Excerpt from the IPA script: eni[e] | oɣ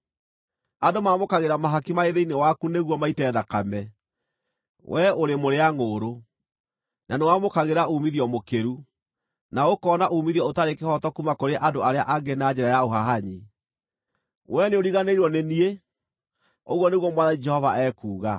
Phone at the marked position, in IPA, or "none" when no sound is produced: e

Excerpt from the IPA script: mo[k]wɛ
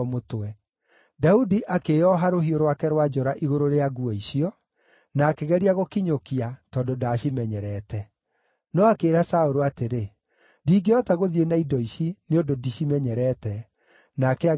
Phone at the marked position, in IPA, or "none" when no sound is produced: t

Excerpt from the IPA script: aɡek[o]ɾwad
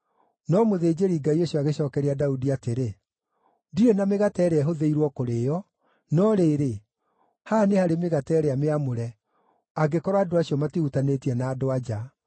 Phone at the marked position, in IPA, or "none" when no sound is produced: ɔ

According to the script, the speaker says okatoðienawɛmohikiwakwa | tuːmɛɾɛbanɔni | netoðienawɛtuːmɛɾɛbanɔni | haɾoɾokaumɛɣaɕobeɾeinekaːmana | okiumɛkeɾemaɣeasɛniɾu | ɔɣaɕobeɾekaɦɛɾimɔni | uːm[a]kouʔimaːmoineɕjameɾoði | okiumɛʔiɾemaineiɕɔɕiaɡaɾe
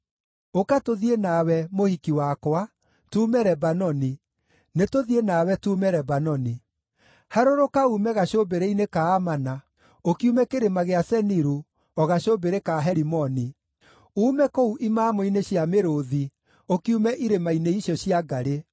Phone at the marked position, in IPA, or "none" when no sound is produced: ɛ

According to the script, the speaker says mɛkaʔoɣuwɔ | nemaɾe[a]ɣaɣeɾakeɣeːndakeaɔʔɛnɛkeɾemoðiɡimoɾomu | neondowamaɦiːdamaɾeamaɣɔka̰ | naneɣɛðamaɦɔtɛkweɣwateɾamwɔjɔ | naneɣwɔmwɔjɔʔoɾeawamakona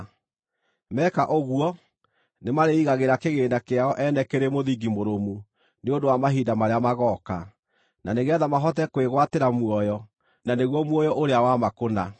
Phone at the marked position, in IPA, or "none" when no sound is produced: i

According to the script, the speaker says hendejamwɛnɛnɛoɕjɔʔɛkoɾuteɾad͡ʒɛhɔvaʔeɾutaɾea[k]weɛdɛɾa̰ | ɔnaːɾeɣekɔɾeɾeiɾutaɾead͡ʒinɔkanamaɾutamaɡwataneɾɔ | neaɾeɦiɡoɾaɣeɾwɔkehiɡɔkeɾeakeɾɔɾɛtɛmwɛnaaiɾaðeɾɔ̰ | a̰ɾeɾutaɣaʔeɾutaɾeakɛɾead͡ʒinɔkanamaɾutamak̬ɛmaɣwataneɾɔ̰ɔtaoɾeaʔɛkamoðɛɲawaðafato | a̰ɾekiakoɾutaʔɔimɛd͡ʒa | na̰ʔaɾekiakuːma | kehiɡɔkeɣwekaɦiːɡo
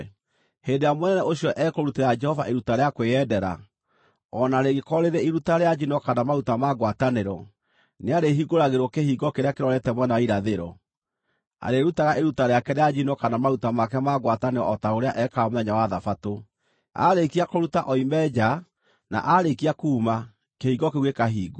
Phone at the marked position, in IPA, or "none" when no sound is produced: k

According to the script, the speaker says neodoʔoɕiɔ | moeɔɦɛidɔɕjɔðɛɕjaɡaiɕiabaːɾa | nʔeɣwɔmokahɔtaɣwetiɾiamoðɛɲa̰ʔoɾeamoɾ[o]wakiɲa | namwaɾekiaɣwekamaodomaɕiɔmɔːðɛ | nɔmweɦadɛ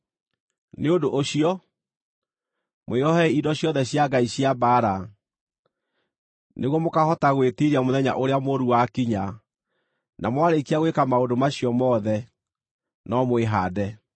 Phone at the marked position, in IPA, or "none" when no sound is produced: u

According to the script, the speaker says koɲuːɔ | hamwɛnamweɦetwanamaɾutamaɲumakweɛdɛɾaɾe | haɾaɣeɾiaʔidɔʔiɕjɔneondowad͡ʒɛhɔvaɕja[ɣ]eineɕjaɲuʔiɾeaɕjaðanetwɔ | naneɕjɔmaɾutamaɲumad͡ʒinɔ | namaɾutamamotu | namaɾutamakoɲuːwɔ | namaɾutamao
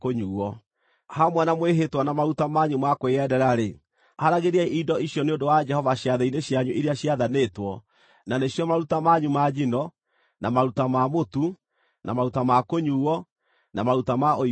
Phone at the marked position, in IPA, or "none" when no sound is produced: ð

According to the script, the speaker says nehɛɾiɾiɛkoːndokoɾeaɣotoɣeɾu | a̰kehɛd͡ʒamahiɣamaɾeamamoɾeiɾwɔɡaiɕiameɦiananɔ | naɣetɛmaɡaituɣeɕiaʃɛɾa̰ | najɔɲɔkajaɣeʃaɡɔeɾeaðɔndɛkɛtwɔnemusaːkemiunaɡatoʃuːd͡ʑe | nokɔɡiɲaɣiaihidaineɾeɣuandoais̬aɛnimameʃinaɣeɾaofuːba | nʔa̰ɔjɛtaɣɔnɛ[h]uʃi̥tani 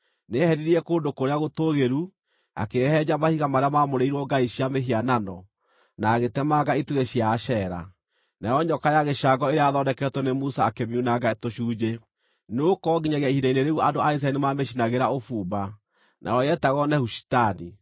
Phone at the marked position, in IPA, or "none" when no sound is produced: h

